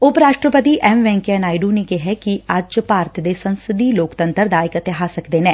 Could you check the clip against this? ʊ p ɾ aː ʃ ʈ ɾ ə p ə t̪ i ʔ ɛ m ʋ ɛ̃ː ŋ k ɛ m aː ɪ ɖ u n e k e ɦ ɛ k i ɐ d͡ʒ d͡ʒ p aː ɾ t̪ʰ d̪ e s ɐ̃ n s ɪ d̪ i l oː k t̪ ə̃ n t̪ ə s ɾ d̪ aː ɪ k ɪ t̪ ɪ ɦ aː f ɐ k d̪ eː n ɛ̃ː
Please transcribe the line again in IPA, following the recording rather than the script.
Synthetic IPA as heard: ʊ p ɾ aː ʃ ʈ ɾ ə p ə t̪ i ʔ ɛ m ʋ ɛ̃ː ŋ k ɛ n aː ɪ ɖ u n e k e ɦ ɛ k i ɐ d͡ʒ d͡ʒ p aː ɾ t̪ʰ d̪ e s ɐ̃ n s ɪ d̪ i l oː k t̪ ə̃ n t̪ ə ɾ d̪ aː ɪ k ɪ t̪ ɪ ɦ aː s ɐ k d̪ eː n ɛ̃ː